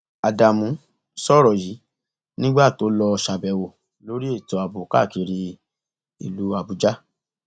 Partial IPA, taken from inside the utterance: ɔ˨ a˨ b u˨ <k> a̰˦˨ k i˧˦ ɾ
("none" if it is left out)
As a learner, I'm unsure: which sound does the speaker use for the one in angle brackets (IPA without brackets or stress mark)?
k